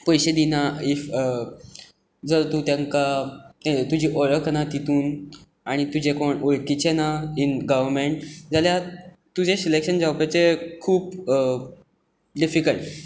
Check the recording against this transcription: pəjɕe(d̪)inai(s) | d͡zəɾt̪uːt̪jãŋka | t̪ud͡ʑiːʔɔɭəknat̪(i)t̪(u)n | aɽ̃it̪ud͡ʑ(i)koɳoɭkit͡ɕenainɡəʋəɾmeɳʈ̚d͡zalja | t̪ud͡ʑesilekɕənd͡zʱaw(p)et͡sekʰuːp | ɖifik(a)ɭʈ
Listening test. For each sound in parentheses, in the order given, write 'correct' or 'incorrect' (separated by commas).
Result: correct, incorrect, correct, incorrect, incorrect, correct, incorrect